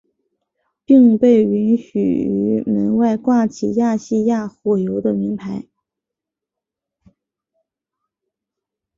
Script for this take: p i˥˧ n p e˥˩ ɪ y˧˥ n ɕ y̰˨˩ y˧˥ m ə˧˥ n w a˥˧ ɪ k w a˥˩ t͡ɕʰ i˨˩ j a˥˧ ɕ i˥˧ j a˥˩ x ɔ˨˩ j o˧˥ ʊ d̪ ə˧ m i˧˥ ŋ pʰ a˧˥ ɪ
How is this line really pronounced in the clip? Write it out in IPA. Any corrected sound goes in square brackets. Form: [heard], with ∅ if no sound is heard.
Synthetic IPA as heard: p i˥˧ [ŋ] p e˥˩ ɪ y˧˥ n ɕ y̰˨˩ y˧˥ m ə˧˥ n w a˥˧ ɪ k w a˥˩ t͡ɕʰ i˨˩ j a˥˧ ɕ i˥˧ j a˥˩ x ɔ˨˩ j o˧˥ ʊ d̪ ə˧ m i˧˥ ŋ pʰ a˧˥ ɪ